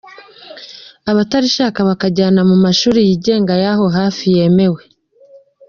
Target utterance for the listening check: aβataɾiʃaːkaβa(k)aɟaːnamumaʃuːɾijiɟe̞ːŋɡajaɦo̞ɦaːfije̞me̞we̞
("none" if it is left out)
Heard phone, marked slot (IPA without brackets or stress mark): k